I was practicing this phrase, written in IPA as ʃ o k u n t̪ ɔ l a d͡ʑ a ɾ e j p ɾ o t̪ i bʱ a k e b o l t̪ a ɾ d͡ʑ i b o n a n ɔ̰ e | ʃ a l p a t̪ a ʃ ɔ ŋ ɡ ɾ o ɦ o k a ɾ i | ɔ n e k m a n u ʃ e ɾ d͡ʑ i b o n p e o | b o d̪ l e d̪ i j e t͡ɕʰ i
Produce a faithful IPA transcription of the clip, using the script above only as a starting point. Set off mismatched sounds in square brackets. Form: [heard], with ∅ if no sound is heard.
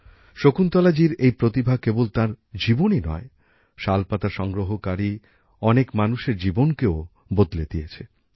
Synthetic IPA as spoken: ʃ o k u n t̪ ɔ l a d͡ʑ [i] ɾ e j p ɾ o t̪ i bʱ a k e b o l t̪ a ɾ d͡ʑ i b o n [i] n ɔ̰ e | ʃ a l p a t̪ a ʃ ɔ ŋ ɡ ɾ o ɦ o k a ɾ i | ɔ n e k m a n u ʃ e ɾ d͡ʑ i b o n [k] e o | b o d̪ l e d̪ i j e t͡ɕʰ [e]